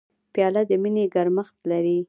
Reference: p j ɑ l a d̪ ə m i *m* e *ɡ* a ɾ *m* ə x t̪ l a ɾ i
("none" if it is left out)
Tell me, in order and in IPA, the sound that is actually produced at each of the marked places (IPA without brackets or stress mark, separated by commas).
n, ɡ, m